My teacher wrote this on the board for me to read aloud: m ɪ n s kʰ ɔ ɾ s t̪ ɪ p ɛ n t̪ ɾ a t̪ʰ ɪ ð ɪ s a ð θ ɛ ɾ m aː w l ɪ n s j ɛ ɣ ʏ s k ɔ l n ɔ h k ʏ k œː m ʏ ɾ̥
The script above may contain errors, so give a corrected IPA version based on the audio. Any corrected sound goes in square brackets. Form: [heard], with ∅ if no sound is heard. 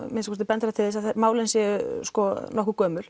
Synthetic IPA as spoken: m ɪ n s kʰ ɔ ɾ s t̪ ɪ p ɛ n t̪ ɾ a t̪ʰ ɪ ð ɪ s a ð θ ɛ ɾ m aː w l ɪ n s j ɛ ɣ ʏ s k ɔ [∅] n ɔ h k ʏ k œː m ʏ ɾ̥